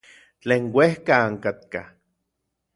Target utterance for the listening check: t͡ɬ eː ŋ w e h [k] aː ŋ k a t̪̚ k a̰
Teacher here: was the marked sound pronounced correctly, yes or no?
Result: yes